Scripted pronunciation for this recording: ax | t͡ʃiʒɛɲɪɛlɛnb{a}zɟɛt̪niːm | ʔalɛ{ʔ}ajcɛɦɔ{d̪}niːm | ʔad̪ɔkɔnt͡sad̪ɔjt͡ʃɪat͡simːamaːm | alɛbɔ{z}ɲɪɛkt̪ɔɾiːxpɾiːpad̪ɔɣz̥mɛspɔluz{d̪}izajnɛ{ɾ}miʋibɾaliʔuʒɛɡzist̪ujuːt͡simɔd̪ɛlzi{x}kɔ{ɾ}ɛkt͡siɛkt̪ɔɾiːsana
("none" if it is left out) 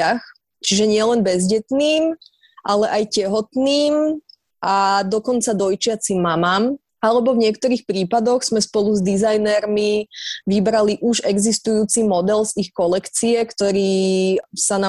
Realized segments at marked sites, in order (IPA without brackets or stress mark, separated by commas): ɛ, ʔ, t̪, v, d̪, ɾ, x, l